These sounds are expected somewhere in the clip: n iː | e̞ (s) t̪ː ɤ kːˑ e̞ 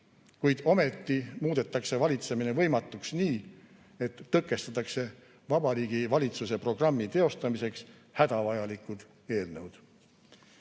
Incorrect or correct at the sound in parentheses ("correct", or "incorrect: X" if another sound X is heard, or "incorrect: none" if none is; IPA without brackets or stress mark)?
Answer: incorrect: none